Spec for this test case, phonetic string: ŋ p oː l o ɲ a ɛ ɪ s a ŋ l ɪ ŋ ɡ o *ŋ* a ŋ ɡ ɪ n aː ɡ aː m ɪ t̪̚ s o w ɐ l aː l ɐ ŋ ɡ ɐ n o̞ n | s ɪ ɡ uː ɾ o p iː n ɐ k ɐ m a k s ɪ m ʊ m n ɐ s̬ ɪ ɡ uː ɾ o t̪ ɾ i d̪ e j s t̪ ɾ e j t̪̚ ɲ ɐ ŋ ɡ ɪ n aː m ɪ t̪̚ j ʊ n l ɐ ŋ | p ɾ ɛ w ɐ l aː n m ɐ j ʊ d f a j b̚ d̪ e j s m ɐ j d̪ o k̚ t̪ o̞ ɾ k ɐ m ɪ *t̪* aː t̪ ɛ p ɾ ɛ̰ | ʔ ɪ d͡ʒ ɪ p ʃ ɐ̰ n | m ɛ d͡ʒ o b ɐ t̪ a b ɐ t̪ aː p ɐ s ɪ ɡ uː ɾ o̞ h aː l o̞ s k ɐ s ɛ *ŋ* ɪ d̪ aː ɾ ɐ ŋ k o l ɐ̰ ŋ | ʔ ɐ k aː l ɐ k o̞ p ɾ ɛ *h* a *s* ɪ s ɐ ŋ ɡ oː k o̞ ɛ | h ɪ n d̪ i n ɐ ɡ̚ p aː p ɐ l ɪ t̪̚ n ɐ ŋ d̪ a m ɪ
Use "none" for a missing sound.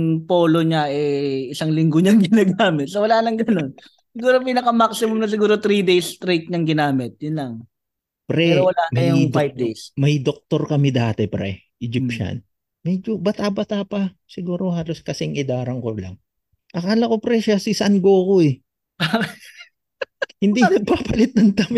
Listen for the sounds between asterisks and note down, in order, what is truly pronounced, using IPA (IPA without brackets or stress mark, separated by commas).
ɲ, d̪, ŋ, ʃ, s